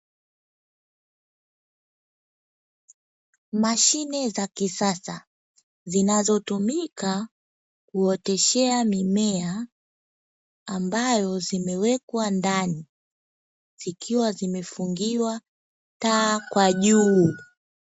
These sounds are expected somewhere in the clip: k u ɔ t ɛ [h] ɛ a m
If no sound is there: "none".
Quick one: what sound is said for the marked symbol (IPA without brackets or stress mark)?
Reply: ʃ